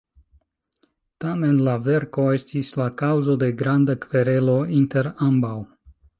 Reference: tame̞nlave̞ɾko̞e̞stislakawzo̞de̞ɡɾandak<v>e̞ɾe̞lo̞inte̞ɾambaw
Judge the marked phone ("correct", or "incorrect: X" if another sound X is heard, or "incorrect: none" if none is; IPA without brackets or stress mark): correct